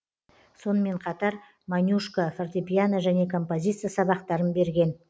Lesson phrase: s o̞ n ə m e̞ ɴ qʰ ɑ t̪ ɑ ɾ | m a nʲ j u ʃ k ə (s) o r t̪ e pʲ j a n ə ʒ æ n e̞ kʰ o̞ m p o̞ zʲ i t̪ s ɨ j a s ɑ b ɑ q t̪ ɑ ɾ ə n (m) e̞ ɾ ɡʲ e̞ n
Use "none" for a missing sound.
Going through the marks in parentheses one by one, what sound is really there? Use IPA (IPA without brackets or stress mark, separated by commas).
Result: f, b